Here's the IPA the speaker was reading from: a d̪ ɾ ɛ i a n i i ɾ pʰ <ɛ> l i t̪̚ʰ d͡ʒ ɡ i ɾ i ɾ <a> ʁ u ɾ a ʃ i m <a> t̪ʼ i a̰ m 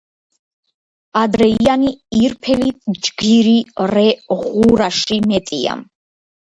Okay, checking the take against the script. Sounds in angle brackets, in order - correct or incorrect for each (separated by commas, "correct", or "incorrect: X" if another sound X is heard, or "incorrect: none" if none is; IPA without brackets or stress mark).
correct, incorrect: ɛ, incorrect: ɛ